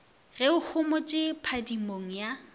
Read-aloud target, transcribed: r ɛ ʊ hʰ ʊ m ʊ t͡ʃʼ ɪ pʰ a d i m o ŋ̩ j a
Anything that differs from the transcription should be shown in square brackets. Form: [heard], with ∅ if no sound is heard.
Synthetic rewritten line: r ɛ ʊ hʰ ʊ m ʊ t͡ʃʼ ɪ pʰ a d i m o ŋ̩ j a